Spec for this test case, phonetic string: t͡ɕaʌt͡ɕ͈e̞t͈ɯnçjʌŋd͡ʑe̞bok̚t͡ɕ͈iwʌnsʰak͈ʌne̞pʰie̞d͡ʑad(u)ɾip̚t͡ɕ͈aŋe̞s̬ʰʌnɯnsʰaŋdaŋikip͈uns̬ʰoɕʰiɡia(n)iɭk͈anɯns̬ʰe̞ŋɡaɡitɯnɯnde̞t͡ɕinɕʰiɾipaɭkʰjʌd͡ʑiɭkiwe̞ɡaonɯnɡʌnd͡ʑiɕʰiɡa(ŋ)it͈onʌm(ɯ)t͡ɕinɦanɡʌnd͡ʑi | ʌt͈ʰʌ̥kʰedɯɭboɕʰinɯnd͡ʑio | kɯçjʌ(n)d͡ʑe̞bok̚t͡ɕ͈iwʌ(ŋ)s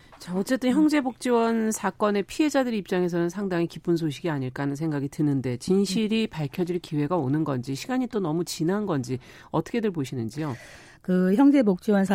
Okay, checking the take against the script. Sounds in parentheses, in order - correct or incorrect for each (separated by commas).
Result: incorrect, incorrect, incorrect, incorrect, incorrect, incorrect